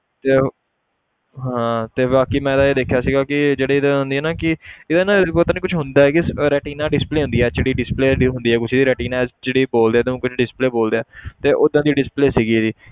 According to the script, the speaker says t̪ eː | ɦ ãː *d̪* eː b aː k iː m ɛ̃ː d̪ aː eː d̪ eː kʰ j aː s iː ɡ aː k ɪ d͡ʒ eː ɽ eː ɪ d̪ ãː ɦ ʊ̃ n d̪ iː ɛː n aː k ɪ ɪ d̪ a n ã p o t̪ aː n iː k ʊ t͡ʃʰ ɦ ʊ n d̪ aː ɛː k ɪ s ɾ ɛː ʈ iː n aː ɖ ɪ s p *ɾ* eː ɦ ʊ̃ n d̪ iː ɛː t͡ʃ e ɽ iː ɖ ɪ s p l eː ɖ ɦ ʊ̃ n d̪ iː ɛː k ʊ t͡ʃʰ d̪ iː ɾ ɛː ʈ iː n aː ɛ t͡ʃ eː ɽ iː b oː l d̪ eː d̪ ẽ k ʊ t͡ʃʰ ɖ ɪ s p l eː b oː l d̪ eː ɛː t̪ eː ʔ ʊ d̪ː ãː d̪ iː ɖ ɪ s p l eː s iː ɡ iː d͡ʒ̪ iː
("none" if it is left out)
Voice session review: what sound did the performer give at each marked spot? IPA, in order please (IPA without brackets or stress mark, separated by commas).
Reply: t̪, l